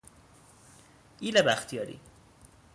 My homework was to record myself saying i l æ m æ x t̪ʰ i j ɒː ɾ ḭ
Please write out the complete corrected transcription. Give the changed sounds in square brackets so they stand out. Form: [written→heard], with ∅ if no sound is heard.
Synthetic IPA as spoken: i l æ [m→b] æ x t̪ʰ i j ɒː ɾ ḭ